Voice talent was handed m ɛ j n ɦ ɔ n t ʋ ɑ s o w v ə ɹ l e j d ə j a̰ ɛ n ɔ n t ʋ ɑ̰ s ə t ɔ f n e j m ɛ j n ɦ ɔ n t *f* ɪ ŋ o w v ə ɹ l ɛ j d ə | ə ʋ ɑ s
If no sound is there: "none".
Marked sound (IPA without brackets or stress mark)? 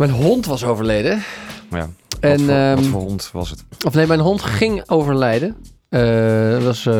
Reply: χ